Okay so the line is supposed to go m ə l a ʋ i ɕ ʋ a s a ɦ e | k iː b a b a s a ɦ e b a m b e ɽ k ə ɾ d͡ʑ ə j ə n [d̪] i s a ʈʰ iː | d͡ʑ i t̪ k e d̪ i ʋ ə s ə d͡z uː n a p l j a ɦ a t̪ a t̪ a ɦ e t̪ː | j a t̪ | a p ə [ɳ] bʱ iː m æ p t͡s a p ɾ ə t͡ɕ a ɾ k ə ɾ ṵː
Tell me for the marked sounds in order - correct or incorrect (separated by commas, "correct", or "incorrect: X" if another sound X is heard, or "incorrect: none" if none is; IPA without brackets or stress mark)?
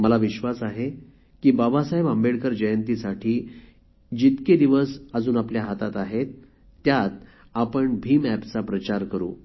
incorrect: t̪, correct